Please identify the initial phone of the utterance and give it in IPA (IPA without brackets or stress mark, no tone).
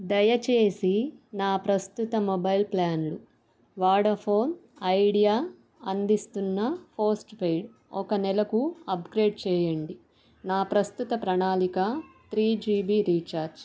d̪